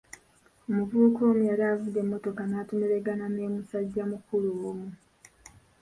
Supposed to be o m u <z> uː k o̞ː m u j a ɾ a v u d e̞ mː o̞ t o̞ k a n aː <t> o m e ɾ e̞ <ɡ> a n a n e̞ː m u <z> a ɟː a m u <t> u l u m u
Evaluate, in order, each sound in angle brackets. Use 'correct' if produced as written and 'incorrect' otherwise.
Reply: incorrect: v, correct, correct, incorrect: s, incorrect: k

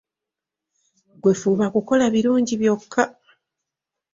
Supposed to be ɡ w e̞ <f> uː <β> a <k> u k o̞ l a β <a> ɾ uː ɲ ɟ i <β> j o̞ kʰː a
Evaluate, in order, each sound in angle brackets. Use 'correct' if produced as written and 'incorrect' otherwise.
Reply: correct, correct, correct, incorrect: i, correct

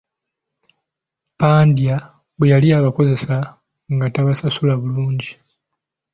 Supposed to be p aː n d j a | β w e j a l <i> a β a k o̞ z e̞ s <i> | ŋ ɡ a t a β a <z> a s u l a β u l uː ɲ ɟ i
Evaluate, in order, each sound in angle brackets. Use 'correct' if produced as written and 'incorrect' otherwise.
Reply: correct, incorrect: a, incorrect: s

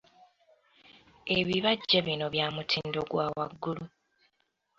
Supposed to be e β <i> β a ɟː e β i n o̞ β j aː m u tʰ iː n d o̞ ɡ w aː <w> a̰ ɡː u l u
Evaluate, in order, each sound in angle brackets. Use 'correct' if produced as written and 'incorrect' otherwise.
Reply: correct, correct

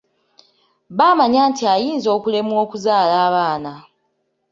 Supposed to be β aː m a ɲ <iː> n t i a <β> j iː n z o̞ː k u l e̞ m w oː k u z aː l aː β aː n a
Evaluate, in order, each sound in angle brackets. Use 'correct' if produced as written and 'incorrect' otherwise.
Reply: incorrect: aː, incorrect: none

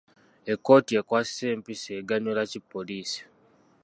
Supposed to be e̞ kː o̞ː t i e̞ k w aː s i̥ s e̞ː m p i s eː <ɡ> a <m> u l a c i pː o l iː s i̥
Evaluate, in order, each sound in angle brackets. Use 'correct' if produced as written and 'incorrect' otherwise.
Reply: correct, incorrect: ɲ

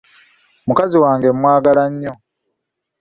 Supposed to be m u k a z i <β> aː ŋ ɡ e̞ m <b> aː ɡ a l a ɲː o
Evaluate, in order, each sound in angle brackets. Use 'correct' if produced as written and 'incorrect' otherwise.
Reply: incorrect: w, incorrect: w

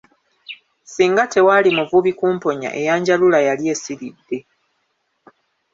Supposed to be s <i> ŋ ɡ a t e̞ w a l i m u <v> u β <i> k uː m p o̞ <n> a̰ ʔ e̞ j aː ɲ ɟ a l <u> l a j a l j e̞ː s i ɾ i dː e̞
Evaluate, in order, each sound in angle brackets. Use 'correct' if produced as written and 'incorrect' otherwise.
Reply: incorrect: iː, correct, correct, incorrect: ɲ, correct

